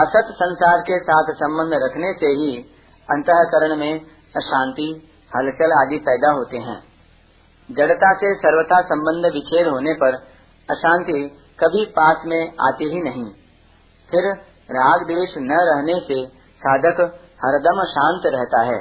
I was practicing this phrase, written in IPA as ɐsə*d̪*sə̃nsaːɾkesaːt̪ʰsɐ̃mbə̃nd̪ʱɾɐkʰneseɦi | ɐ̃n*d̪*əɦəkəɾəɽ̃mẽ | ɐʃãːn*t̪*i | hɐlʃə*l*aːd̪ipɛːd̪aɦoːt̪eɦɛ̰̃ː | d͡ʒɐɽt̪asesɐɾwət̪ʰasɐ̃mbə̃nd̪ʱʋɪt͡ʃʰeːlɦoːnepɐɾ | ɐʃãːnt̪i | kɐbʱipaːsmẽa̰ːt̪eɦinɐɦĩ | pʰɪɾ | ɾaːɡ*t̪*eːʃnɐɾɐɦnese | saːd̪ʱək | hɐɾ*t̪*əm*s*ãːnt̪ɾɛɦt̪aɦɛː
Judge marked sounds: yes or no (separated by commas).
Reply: no, no, yes, yes, no, no, no